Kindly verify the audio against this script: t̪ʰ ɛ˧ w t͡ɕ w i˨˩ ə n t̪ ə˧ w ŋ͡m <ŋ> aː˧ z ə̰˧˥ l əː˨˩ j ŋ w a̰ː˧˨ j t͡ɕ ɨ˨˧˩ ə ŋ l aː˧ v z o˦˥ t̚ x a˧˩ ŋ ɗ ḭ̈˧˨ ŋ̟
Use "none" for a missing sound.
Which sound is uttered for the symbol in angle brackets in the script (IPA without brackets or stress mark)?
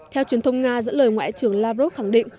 ŋ